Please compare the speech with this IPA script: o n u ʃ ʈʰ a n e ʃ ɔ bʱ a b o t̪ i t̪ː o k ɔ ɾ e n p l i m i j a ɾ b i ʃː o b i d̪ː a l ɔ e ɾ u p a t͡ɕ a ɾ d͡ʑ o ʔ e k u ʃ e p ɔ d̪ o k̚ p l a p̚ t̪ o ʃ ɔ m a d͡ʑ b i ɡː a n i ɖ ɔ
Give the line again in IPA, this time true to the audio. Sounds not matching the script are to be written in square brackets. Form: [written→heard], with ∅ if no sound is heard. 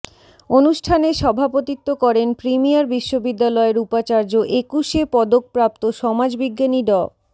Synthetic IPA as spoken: o n u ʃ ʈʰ a n e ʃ ɔ bʱ a [b→p] o t̪ i t̪ː o k ɔ ɾ e n p [l→ɾ] i m i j a ɾ b i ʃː o b i d̪ː a l ɔ e ɾ u p a t͡ɕ a ɾ d͡ʑ o ʔ e k u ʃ e p ɔ d̪ o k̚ p [l→ɾ] a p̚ t̪ o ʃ ɔ m a d͡ʑ b i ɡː a n i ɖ ɔ